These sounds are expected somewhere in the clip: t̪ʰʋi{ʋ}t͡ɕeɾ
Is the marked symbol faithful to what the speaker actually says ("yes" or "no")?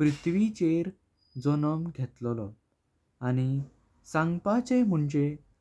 no